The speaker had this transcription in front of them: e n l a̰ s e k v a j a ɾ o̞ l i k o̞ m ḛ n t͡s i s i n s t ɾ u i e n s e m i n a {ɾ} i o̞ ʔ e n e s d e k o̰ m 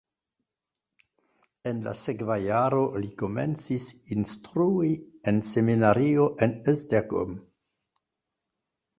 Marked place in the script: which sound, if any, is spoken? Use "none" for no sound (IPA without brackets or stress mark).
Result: ɾ